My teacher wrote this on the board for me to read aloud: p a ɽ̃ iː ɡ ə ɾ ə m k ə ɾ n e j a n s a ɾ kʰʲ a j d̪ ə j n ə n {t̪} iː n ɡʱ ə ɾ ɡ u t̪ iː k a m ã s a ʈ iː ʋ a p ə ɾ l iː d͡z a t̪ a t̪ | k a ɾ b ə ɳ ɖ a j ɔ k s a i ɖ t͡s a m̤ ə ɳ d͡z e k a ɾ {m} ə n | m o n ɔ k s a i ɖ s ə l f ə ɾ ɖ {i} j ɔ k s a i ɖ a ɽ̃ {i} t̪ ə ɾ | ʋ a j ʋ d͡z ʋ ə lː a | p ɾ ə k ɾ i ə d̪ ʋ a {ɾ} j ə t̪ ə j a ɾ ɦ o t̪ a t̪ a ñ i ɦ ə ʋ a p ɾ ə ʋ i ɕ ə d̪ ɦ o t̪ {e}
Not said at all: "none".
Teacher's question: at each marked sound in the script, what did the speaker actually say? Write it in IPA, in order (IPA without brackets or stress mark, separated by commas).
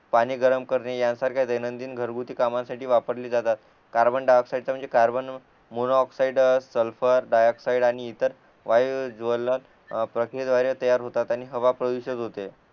d̪, b, a, iː, ɾ, e